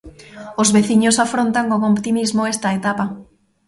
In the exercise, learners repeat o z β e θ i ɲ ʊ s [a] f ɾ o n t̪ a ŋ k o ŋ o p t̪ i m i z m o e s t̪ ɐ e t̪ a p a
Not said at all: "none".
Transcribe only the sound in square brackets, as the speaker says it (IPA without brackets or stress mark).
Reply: a